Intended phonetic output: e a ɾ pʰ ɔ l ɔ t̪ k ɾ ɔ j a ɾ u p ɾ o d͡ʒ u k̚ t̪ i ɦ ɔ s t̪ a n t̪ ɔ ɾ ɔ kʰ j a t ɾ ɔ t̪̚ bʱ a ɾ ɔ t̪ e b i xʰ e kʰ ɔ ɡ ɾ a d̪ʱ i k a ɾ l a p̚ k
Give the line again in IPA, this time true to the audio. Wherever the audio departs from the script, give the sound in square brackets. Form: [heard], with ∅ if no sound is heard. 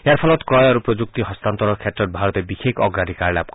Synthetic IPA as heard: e a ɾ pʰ ɔ l ɔ t̪ k ɾ ɔ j a ɾ u p ɾ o d͡ʒ u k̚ t̪ i ɦ ɔ s t̪ a n t̪ ɔ ɾ ɔ kʰ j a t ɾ ɔ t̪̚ bʱ a ɾ ɔ t̪ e b i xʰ e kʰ ɔ ɡ ɾ a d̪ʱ i k a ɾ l a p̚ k